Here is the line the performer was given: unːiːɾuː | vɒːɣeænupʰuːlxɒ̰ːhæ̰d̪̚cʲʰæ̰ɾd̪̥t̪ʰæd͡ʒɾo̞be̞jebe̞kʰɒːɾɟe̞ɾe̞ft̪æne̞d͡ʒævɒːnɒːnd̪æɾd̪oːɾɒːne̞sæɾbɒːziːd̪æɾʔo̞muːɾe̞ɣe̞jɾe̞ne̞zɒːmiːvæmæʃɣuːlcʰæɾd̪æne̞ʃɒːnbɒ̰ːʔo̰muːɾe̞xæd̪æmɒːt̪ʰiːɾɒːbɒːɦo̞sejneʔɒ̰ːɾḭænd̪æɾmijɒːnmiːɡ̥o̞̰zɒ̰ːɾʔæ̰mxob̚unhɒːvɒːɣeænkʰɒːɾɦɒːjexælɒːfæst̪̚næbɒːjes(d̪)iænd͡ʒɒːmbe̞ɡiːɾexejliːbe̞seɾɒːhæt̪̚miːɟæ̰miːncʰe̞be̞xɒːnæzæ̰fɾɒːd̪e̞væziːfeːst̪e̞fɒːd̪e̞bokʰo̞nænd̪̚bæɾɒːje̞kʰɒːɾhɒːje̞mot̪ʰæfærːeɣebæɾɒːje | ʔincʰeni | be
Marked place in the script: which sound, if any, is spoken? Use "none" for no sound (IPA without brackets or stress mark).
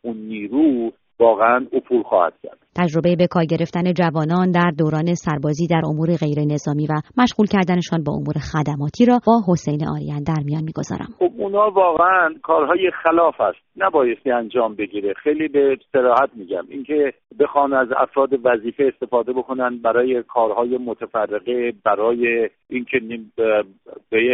t̪